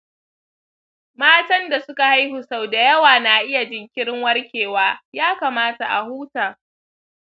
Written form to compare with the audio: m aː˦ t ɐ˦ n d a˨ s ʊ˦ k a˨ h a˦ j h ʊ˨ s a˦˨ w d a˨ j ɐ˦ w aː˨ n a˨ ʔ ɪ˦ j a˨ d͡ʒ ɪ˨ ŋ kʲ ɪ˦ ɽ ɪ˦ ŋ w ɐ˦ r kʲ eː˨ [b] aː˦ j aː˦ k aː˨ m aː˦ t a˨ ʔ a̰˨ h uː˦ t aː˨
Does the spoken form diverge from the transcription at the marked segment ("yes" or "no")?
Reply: yes